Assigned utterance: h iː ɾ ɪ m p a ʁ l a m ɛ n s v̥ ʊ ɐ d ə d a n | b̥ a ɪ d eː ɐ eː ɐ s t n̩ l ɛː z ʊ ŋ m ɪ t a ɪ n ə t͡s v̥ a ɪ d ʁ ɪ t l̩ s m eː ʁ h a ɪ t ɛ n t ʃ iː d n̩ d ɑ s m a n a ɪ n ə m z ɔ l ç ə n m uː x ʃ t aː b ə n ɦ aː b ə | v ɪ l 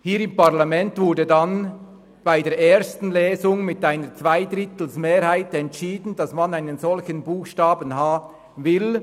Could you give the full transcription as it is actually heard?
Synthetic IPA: h iː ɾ ɪ m p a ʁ l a m ɛ n t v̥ ʊ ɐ d ə d a n | b̥ a ɪ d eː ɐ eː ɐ s t n̩ l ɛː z ʊ ŋ m ɪ t a ɪ n ə t͡s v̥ a ɪ d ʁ ɪ t l̩ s m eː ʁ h a ɪ t ɛ n t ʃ iː d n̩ d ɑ s m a n a ɪ n ə n z ɔ l ç ə n b uː x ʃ t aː b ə n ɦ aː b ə | v ɪ l